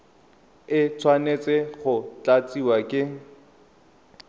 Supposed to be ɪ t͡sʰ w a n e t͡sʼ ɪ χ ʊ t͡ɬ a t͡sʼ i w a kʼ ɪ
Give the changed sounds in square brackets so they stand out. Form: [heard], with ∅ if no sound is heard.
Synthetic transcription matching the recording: ɪ t͡sʰ w a n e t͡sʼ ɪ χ ʊ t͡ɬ a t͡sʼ i w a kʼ ɪ